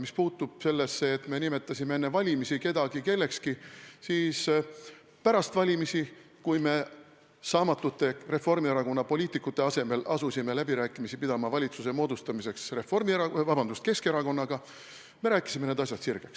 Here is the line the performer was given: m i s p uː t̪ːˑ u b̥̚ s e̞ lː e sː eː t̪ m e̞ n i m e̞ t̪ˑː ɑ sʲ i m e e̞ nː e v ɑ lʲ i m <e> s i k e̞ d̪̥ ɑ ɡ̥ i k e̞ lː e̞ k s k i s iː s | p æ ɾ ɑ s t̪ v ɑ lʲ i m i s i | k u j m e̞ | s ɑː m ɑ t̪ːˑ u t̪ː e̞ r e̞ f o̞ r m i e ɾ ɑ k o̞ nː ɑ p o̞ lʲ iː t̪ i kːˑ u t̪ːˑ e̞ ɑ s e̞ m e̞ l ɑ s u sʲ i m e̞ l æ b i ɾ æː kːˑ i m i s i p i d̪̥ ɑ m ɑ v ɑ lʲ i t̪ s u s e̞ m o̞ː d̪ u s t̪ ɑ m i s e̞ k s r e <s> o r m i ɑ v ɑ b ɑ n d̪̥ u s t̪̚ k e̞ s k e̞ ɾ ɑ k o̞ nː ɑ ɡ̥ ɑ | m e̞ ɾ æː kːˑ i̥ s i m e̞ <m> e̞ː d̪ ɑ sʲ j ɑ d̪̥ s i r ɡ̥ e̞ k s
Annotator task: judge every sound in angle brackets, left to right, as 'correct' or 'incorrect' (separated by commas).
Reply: incorrect, incorrect, incorrect